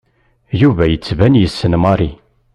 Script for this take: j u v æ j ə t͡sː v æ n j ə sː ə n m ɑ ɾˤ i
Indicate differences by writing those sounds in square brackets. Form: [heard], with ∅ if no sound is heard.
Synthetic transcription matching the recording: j u v æ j ə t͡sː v æ n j ə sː ə n m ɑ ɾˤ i